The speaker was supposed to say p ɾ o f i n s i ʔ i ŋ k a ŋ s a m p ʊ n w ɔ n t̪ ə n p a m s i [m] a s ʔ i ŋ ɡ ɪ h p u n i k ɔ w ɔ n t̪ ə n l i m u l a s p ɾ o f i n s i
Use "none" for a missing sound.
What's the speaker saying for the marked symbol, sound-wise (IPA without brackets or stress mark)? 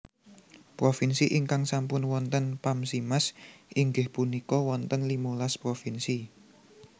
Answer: m